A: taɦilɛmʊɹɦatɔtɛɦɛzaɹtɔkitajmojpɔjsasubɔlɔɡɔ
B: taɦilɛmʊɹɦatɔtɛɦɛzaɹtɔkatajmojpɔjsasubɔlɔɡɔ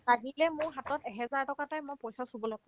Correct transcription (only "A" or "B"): B